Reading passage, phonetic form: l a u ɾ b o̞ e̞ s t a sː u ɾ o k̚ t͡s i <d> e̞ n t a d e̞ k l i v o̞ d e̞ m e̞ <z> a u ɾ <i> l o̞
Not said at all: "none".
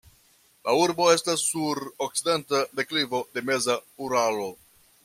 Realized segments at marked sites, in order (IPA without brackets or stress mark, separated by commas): d, z, a